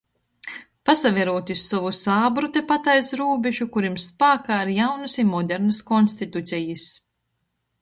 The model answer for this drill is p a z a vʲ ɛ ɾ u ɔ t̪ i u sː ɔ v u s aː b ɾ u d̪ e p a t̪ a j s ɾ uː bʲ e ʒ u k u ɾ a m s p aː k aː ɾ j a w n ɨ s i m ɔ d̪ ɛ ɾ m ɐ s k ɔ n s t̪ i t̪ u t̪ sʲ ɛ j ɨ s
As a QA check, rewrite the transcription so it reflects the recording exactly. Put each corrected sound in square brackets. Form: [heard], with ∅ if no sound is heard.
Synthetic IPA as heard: p a [s] a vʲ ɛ ɾ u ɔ t̪ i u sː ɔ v u s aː b ɾ u [t̪] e p a t̪ a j s ɾ uː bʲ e ʒ u k u ɾ [i] m s p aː k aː ɾ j a w n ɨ s i m ɔ d̪ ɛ ɾ [n] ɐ s k ɔ n s t̪ i t̪ u t̪ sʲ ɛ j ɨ s